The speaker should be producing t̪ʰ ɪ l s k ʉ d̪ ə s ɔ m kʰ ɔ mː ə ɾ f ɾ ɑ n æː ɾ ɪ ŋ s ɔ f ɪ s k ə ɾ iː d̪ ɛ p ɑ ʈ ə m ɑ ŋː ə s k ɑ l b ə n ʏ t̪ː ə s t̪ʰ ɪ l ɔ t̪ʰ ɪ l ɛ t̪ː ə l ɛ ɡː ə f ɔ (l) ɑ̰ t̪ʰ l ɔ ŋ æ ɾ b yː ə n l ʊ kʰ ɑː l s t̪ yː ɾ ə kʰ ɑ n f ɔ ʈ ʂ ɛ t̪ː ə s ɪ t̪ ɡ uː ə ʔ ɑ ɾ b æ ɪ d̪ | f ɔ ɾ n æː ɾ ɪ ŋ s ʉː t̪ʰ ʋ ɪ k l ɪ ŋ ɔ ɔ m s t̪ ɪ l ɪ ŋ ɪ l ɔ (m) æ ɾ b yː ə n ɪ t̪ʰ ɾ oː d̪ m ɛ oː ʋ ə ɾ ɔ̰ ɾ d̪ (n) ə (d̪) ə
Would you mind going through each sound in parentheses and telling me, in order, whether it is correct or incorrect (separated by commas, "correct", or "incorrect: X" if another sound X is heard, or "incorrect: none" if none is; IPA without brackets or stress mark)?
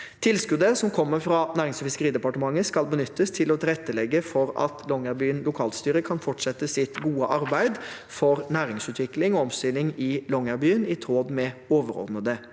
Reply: incorrect: ɾ, incorrect: ŋ, correct, correct